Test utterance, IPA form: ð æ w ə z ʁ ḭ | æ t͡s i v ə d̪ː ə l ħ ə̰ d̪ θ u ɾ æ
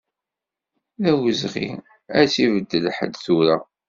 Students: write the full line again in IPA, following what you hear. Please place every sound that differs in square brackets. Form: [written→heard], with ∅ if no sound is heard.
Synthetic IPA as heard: ð æ w ə z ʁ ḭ | æ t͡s i v ə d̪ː ə l ħ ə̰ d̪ θ u ɾ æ